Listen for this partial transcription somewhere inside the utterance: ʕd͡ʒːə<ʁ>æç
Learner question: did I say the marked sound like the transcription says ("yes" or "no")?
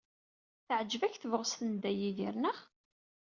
no